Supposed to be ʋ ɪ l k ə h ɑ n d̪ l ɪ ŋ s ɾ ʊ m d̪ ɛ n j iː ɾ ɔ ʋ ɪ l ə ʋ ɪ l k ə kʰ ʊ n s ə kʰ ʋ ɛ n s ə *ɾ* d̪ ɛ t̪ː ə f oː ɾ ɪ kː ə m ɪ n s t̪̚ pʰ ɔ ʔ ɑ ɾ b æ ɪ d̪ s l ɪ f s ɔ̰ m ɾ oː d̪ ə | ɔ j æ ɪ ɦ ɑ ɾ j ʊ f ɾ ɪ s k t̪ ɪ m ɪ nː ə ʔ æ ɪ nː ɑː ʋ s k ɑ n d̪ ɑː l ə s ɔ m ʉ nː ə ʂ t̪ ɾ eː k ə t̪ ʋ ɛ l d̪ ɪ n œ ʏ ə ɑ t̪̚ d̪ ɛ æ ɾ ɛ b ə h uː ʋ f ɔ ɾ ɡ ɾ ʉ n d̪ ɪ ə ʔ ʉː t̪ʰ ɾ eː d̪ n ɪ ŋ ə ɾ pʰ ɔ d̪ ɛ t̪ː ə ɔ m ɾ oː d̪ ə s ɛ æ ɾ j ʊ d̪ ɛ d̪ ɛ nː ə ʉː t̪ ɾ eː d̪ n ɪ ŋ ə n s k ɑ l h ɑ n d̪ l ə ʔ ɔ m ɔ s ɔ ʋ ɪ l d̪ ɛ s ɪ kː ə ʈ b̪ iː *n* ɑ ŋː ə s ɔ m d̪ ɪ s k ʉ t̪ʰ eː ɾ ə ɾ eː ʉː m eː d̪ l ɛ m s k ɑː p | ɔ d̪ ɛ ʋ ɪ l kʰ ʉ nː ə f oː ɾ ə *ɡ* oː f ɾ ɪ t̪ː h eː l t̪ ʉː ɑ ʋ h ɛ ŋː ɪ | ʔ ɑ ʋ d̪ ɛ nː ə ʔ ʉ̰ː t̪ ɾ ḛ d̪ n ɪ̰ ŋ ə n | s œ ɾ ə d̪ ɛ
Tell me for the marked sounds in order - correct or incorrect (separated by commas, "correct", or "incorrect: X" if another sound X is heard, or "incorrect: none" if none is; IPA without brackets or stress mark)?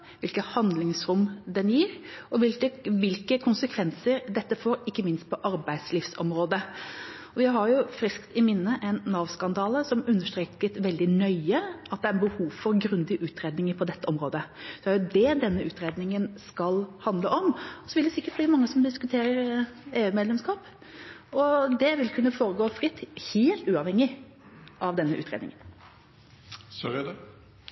correct, incorrect: m, correct